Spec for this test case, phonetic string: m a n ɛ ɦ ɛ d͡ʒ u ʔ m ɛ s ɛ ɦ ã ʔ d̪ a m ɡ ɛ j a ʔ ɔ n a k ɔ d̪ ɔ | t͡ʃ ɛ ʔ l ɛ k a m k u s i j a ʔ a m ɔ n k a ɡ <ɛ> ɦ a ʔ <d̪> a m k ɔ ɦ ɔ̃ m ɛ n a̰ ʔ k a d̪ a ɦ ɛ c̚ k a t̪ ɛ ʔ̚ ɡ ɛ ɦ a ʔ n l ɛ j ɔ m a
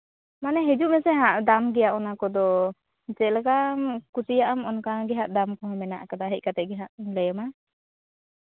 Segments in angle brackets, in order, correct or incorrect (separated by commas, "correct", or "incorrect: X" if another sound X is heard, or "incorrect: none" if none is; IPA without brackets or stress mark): correct, correct